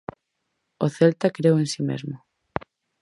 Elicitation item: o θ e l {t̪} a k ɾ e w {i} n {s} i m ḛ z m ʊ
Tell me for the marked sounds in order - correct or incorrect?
correct, incorrect: e, correct

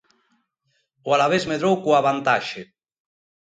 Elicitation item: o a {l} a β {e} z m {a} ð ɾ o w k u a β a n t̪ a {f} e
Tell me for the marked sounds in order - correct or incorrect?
correct, correct, incorrect: e, incorrect: ʃ

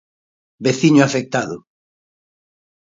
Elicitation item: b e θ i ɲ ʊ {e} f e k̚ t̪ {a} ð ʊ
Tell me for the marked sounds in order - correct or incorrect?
incorrect: a, correct

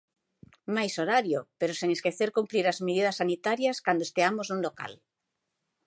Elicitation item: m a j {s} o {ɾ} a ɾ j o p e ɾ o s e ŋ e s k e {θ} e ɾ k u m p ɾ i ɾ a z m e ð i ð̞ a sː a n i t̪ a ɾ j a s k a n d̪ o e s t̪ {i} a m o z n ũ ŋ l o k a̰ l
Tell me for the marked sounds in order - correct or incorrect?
correct, correct, correct, incorrect: e

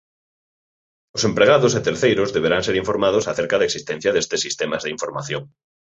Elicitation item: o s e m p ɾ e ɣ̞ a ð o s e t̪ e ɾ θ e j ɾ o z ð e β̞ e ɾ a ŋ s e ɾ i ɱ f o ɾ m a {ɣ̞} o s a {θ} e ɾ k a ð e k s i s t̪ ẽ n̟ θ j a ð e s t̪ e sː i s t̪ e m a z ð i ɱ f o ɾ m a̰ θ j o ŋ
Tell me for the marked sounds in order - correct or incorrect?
incorrect: ð̞, correct

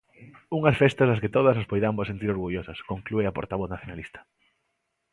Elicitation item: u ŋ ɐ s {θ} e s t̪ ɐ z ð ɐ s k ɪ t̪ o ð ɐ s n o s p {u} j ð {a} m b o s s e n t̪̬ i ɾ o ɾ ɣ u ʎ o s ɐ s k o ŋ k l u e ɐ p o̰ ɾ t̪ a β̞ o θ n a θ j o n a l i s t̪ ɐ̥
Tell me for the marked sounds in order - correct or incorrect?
incorrect: f, incorrect: o, correct

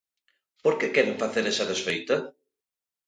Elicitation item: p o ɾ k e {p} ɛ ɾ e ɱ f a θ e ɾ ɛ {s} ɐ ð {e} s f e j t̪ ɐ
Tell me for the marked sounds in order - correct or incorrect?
incorrect: k, correct, correct

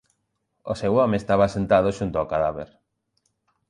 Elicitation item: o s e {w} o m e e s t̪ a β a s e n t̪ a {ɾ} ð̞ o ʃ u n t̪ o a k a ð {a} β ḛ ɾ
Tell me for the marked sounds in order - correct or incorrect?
correct, incorrect: none, correct

